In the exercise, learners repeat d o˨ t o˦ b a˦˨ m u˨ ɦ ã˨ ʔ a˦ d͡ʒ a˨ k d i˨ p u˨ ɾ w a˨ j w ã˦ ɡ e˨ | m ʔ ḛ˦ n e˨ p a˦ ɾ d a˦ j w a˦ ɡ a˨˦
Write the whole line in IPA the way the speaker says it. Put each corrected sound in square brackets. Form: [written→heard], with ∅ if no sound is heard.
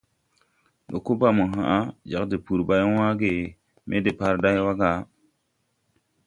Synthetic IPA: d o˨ [t→k] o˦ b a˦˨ m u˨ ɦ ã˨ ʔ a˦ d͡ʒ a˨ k d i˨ p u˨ ɾ [w→b] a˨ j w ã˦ ɡ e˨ | m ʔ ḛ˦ [n→d] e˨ p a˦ ɾ d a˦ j w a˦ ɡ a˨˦